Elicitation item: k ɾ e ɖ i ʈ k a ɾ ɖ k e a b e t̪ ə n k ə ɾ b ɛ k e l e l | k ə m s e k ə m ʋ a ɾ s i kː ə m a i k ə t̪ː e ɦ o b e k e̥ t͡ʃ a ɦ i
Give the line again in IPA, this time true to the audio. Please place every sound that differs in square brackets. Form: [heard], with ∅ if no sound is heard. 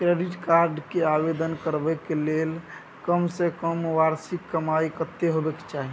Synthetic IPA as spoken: k ɾ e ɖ i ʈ k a ɾ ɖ k e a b e [d̪] ə n k ə ɾ b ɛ k e l e l | k ə m s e k ə m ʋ a ɾ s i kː ə m a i k ə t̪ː e ɦ o b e k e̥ t͡ʃ a ɦ i